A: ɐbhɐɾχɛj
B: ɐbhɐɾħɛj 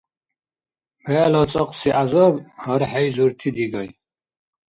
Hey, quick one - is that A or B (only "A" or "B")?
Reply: B